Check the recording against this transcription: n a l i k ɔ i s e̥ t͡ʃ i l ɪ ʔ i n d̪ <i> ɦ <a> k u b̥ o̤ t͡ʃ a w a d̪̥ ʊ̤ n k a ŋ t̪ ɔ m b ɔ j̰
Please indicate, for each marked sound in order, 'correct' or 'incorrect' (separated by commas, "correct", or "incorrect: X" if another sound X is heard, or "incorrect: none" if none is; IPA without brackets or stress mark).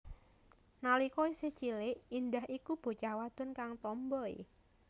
incorrect: a, incorrect: i